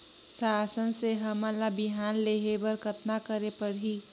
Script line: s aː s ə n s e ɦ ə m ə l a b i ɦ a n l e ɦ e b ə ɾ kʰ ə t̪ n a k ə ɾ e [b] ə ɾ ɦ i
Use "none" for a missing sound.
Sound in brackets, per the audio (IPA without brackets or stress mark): p